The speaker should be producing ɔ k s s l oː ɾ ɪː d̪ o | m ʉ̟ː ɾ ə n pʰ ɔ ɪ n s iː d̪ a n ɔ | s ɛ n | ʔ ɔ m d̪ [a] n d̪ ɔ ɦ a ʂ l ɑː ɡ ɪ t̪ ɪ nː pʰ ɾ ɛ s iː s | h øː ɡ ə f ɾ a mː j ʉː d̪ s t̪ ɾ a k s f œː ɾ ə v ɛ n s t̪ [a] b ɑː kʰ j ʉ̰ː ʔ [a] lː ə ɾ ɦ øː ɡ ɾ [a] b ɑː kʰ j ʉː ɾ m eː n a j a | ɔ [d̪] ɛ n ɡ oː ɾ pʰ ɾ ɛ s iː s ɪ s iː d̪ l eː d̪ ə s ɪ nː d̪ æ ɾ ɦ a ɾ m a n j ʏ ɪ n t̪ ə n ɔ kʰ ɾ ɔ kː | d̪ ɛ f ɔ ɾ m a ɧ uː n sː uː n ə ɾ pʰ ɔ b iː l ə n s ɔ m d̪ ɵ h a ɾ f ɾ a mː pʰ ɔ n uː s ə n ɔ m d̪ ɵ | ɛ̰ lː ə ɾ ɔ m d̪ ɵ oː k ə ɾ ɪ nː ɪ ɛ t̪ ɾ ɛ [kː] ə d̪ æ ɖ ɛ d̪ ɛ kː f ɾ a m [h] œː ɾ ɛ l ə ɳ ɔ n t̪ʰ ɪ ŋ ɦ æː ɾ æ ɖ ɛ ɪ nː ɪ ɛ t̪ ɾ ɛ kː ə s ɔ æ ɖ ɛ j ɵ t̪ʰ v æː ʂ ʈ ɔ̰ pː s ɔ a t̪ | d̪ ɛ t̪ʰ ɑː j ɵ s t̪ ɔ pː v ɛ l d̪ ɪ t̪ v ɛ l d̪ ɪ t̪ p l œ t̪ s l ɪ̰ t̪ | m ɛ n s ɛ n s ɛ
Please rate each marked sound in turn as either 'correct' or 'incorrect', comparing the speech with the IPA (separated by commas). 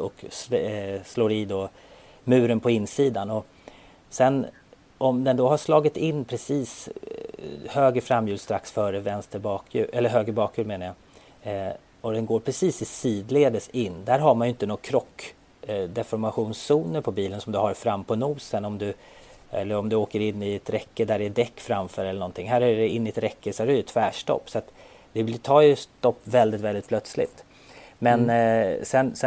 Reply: incorrect, incorrect, incorrect, incorrect, correct, correct, incorrect